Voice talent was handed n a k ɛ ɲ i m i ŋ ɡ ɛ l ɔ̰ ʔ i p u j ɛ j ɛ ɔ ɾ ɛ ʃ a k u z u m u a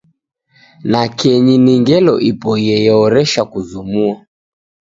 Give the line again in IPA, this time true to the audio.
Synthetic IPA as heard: n a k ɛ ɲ i n i ŋ ɡ ɛ l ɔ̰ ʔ i p ɔ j ɛ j ɛ ɔ ɾ ɛ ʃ a k u z u m u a